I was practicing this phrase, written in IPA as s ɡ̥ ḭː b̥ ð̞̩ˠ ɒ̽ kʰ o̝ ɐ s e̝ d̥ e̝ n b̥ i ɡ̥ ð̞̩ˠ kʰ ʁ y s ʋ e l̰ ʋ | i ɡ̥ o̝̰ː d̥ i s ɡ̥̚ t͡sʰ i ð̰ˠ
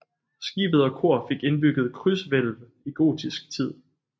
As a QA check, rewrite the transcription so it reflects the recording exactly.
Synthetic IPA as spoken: s ɡ̥ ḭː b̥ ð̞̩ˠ ɒ̽ kʰ o̝ ɐ f e̝ ɡ̥ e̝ n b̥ y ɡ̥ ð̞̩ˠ kʰ ʁ y s ʋ e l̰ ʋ | i ɡ̥ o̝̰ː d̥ i s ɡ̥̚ t͡sʰ i ð̰ˠ